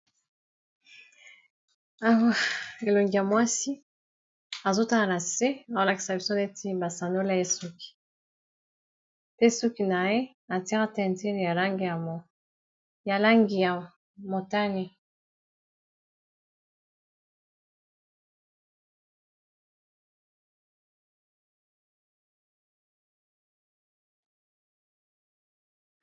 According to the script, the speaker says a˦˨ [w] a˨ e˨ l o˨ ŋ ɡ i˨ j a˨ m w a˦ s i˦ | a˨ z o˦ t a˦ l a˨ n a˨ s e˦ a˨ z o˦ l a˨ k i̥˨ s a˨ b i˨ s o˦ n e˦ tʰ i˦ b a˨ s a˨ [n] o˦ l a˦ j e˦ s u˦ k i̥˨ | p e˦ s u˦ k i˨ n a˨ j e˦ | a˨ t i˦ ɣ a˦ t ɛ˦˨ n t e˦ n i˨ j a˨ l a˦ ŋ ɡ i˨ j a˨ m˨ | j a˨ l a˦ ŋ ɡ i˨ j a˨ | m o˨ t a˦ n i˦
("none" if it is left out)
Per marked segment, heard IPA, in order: w, n

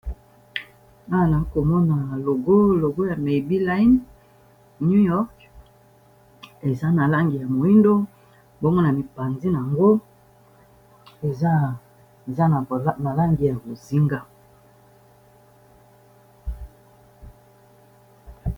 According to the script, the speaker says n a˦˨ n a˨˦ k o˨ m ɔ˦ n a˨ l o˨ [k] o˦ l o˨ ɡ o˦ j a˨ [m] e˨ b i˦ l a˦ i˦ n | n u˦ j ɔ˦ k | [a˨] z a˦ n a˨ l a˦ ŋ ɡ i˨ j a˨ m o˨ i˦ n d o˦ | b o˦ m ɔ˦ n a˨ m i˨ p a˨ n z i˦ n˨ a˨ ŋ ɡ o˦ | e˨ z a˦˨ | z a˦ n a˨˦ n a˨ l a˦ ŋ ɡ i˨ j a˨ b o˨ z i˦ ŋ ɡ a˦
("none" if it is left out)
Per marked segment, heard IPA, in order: ɡ, m, e˨

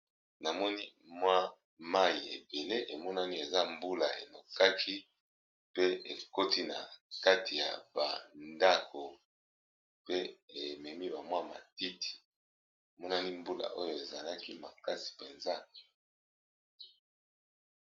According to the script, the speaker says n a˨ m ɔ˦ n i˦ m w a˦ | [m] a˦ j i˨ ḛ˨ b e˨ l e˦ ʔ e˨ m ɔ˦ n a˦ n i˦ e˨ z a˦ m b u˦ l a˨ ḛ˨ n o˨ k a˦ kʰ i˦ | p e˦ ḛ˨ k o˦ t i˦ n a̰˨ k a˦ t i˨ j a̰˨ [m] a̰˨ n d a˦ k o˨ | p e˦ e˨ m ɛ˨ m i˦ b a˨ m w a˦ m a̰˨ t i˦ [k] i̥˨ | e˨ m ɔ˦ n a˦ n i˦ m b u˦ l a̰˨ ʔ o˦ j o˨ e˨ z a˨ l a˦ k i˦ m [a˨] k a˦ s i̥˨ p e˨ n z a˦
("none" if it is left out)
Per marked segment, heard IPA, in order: m, b, t, a˨

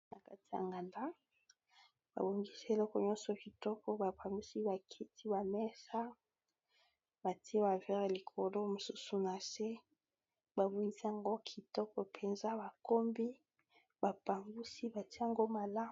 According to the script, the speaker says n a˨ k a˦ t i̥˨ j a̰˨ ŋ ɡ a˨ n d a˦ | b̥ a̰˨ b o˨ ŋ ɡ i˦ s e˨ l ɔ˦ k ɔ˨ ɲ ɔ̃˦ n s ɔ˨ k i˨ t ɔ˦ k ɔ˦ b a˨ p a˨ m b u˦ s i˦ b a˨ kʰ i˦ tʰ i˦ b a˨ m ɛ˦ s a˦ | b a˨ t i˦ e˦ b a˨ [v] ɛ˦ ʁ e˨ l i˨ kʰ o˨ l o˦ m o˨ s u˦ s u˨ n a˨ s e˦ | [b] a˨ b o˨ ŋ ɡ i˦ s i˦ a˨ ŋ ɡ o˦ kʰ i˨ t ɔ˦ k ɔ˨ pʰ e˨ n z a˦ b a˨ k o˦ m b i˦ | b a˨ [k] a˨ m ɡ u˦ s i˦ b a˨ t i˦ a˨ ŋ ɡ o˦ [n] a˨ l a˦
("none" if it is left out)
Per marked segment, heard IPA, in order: v, b, p, m

